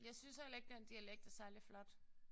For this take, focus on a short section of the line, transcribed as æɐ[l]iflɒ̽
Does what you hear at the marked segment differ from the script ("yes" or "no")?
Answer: no